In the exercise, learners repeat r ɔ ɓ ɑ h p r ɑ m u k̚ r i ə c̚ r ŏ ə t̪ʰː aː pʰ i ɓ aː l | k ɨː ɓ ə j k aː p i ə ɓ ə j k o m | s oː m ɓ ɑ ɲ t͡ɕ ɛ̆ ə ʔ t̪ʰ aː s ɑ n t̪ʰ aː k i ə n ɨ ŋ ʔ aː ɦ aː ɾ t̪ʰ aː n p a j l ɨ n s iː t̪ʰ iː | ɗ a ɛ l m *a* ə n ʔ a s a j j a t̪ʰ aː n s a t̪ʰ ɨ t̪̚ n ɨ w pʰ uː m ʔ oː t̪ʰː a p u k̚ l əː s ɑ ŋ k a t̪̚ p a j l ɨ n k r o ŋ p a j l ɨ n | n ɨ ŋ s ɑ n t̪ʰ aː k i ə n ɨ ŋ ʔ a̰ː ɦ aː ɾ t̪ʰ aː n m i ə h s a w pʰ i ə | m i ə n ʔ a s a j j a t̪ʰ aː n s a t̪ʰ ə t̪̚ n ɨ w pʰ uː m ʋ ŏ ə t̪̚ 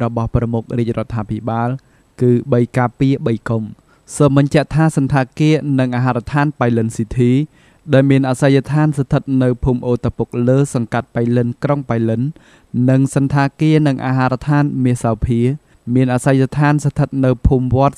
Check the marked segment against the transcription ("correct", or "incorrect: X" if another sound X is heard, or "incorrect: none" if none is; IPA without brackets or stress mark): incorrect: i